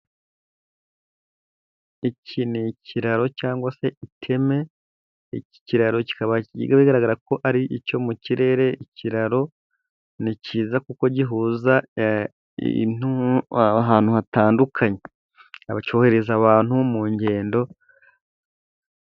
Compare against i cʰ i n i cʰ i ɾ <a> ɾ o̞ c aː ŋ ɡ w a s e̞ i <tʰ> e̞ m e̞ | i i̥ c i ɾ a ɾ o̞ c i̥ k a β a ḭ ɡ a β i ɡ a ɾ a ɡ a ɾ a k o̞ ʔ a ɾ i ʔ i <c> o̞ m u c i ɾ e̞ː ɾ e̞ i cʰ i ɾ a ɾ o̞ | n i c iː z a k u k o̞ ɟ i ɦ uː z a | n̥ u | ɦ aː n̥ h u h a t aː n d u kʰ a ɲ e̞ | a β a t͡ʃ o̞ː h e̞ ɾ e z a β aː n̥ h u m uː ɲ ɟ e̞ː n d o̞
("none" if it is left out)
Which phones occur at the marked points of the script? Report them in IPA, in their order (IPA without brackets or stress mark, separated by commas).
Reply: a, tʰ, c